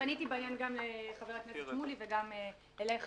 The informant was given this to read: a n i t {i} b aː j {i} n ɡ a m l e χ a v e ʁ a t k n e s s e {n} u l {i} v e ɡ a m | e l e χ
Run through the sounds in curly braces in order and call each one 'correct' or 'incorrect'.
correct, incorrect: a, incorrect: m, correct

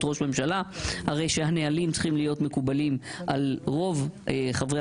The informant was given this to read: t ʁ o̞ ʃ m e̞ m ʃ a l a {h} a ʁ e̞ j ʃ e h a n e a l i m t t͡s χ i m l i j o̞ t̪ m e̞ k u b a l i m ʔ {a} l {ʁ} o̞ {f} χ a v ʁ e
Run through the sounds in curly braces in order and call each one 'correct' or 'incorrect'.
correct, correct, correct, incorrect: v

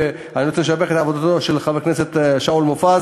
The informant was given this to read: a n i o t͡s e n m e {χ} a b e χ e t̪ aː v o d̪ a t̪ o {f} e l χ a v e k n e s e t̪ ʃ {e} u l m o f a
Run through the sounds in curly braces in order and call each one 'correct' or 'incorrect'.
incorrect: ʃ, incorrect: ʃ, incorrect: a

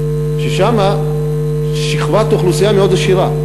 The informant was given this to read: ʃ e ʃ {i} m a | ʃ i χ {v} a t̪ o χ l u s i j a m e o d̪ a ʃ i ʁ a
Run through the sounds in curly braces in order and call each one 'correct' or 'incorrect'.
incorrect: a, correct

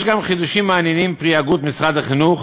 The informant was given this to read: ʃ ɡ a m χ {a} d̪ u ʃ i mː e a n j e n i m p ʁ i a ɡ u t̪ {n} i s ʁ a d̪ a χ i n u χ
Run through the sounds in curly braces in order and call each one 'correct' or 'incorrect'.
incorrect: i, incorrect: m

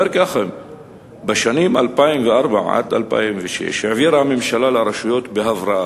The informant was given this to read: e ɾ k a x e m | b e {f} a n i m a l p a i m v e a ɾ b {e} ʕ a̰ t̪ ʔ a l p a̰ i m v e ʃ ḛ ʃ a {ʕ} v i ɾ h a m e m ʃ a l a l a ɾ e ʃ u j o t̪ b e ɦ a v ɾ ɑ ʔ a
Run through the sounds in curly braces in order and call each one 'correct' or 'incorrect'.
incorrect: ʃ, incorrect: a, correct

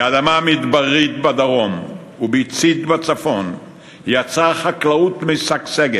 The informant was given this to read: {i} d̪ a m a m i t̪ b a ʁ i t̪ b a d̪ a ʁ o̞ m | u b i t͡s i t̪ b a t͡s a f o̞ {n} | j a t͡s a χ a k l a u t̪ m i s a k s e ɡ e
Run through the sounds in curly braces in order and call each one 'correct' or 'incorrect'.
incorrect: a, correct

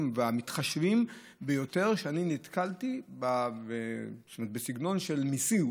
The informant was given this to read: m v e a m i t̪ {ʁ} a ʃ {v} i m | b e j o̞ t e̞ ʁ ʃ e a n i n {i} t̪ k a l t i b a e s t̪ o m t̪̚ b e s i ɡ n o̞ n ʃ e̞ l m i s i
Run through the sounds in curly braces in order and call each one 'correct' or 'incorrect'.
incorrect: χ, correct, correct

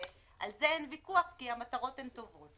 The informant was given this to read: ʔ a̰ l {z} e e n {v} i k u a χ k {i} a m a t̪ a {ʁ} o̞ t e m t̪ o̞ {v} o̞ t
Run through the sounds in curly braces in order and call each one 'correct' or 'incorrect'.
correct, correct, correct, correct, correct

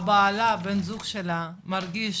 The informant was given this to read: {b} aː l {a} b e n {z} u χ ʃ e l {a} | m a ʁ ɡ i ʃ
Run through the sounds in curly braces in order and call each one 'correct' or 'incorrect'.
correct, correct, correct, correct

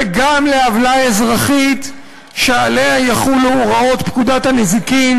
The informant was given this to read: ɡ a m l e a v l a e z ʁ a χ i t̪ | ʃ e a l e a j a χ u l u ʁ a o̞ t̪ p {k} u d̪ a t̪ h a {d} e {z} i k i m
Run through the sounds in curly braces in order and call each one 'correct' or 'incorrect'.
correct, incorrect: n, correct

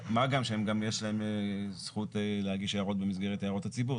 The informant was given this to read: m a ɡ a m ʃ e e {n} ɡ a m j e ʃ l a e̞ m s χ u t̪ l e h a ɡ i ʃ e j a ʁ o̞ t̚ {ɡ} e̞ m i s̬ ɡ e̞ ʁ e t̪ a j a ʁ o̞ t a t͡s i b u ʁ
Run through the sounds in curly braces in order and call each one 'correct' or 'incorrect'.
incorrect: m, incorrect: b

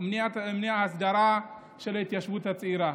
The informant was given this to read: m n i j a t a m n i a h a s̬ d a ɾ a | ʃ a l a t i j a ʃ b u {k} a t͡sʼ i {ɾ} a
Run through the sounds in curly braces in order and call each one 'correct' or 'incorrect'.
incorrect: t, correct

